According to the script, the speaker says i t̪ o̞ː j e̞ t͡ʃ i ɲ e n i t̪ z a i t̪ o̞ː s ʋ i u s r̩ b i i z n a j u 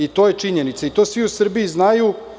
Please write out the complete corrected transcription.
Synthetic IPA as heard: i t̪ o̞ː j e̞ t͡ʃ i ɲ e n i t̪ s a i t̪ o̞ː s ʋ i u s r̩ b i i z n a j u